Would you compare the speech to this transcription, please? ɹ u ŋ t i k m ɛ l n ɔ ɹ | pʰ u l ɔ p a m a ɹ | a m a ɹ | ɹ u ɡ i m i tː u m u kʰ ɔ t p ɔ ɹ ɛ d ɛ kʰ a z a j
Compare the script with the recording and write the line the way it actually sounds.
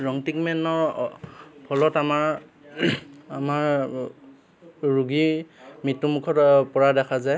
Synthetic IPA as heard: ɹ ɔ ŋ t i k m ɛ n ɔ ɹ | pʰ ɔ l ɔ t a m a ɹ | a m a ɹ | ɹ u ɡ i m i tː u m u kʰ ɔ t p ɔ ɹ a d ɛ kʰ a z a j